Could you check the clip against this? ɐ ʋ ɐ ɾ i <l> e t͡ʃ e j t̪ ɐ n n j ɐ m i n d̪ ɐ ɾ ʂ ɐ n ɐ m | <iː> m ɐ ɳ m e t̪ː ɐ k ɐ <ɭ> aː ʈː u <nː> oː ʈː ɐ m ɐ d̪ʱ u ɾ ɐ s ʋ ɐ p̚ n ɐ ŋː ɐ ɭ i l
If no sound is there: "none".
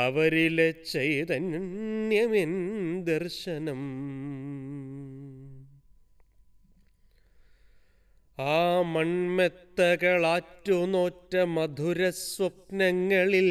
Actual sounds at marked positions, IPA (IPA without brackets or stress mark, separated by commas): l, aː, ɭ, n